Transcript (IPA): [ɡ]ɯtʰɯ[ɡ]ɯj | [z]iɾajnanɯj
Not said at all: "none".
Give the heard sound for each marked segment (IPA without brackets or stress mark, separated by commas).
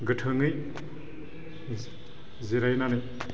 ɡ, ŋ, z